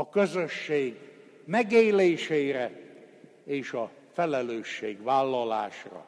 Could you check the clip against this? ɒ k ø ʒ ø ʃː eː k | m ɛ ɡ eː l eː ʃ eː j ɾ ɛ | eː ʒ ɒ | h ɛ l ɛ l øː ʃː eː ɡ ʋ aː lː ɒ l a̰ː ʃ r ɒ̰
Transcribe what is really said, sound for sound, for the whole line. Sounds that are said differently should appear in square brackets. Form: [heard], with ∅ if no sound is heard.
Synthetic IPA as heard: ɒ k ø [z] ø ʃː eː [ɡ] | m ɛ ɡ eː l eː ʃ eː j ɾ ɛ | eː [ʃ] ɒ | [f] ɛ l ɛ l øː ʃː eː ɡ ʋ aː lː ɒ l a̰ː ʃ r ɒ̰